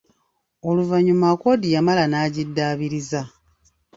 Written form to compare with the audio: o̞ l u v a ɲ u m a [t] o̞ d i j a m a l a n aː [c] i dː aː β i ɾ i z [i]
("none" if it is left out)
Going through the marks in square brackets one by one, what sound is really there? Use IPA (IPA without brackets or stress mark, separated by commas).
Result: k, ɟ, a